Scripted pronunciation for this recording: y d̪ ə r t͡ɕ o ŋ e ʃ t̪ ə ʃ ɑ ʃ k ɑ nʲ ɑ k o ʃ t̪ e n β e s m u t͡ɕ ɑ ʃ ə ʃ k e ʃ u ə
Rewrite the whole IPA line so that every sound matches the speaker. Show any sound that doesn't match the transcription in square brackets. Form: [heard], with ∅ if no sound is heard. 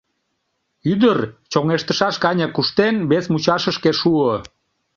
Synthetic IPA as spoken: y d̪ ə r t͡ɕ o ŋ e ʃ t̪ ə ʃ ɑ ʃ k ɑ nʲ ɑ k [u] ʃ t̪ e n β e s m u t͡ɕ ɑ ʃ ə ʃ k e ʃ u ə